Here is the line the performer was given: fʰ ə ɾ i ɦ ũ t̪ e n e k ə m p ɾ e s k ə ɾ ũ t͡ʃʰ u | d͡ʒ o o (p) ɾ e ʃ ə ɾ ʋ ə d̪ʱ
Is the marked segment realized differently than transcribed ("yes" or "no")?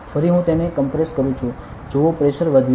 no